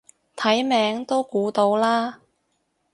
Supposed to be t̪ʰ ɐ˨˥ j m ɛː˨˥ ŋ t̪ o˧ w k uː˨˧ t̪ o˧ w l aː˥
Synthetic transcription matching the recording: t̪ʰ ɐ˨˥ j m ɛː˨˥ ŋ t̪ o˥ w k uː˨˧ t̪ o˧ w l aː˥